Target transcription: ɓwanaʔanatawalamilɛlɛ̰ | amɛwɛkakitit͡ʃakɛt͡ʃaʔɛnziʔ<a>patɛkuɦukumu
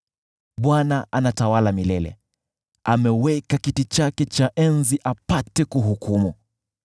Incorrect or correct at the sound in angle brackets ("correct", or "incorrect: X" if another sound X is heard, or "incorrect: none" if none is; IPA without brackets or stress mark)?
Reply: correct